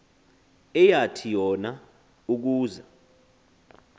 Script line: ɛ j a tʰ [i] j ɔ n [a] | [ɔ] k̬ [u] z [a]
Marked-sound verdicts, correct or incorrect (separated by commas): correct, correct, incorrect, incorrect, correct